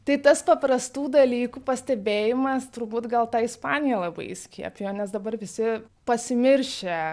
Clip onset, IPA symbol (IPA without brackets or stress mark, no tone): t̪